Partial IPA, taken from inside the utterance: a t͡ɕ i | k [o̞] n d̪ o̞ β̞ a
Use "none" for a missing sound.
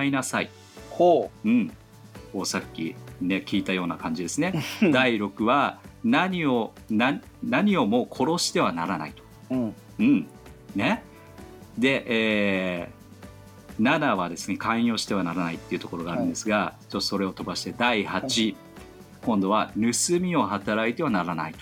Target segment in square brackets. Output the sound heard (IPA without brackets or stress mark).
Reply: õ̞